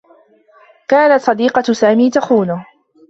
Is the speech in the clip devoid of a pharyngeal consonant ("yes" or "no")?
yes